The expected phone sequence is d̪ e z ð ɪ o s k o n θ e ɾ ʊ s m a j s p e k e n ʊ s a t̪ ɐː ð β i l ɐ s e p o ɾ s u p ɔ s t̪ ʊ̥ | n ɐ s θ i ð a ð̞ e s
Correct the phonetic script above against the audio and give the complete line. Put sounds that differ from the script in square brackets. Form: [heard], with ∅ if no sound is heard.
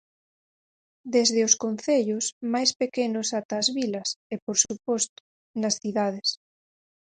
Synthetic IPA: d̪ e z ð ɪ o s k o n θ e [ʎ] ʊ s m a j s p e k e n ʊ s a t̪ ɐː [z] β i l ɐ s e p o ɾ s u p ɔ s t̪ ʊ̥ | n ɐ s θ i ð a ð̞ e s